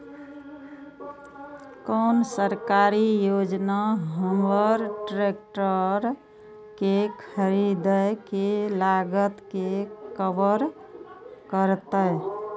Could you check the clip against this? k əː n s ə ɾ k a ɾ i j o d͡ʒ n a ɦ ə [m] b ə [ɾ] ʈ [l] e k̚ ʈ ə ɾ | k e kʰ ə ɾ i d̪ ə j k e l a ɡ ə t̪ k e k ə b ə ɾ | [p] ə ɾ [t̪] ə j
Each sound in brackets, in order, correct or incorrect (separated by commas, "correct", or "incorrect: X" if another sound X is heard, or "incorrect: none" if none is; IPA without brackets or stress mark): correct, correct, incorrect: ɾ, incorrect: k, correct